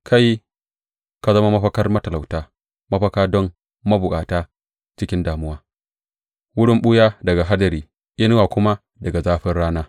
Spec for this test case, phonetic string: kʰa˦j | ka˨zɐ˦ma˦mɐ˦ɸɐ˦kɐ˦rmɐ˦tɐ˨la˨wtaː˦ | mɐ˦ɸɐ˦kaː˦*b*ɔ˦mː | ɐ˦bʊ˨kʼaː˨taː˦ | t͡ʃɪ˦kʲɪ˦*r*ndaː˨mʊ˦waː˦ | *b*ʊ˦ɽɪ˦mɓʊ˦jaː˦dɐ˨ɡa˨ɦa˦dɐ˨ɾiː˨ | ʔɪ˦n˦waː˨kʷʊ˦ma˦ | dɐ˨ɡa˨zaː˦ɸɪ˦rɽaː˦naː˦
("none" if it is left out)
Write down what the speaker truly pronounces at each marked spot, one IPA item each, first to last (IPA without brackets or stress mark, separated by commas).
d, none, w